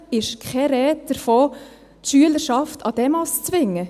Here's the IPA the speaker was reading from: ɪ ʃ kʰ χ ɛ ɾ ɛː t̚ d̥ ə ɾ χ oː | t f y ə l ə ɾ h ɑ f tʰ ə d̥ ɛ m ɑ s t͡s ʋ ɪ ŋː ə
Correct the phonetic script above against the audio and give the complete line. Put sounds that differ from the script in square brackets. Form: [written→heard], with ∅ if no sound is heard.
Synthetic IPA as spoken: ɪ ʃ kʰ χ ɛ ɾ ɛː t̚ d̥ ə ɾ [χ→f] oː | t [f→ʃ] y ə l ə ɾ [h→ʃ] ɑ f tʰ [ə→ɑ] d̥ ɛ m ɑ s t͡s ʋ ɪ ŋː ə